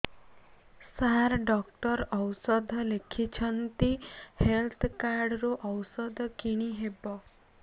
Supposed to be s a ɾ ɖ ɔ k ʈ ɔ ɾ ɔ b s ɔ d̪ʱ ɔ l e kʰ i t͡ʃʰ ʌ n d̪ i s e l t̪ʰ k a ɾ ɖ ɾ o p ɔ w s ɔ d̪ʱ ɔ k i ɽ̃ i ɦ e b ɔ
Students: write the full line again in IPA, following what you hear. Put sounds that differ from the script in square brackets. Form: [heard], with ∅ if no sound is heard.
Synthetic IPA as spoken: s a ɾ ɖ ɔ k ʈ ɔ ɾ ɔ [w] s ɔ d̪ʱ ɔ l e kʰ i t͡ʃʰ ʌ n [t̪] i [h] e l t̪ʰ k a ɾ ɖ ɾ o [ʔ] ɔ w s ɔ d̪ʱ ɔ k i ɽ̃ i ɦ e b ɔ